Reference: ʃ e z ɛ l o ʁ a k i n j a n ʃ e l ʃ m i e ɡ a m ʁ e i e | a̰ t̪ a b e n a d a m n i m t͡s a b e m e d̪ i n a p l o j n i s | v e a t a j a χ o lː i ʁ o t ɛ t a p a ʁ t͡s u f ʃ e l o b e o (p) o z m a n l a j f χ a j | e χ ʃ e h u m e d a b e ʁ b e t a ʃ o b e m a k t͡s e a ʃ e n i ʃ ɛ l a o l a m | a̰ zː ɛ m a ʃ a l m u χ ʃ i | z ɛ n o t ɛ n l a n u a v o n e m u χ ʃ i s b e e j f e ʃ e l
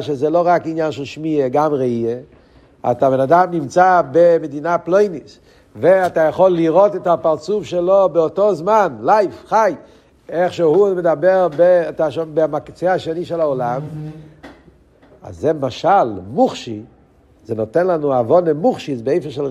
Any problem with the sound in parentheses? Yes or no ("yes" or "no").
yes